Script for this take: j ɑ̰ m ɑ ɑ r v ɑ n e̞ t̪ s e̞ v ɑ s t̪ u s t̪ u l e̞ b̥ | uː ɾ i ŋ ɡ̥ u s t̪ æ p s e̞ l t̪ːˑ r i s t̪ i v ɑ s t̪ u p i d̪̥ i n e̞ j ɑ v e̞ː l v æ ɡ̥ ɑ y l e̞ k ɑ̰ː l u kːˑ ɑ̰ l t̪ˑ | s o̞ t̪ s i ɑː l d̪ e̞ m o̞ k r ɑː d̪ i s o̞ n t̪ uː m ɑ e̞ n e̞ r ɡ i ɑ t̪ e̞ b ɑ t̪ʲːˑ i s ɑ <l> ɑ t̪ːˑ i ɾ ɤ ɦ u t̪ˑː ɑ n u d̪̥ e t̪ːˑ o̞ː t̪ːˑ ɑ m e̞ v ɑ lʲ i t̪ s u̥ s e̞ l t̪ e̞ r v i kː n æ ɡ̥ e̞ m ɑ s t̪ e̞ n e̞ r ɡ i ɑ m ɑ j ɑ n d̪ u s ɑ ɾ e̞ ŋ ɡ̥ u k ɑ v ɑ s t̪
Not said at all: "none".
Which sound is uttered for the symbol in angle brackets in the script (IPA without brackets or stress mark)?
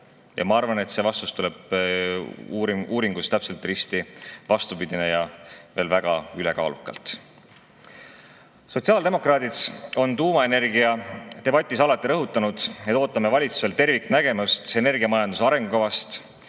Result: l